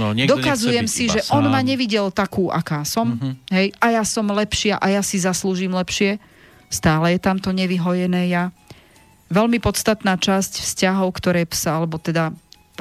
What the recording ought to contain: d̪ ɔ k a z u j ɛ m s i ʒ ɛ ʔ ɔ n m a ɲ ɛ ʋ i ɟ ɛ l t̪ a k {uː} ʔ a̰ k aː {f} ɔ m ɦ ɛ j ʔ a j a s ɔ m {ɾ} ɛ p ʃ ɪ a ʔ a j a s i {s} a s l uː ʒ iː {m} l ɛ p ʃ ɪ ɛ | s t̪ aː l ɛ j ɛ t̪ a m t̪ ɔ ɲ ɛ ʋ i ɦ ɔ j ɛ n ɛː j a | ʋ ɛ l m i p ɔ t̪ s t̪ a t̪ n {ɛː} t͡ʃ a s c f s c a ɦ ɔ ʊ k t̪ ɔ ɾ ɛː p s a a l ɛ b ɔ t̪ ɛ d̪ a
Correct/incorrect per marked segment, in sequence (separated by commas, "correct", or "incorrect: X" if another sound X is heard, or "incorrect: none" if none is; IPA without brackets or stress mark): correct, incorrect: s, incorrect: l, incorrect: z, correct, incorrect: aː